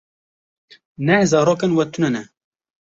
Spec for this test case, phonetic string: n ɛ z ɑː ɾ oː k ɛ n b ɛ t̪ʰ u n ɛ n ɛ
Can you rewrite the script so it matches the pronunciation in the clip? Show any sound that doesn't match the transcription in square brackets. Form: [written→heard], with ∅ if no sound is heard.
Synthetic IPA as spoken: n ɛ z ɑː ɾ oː k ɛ n [b→w] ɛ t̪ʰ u n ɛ n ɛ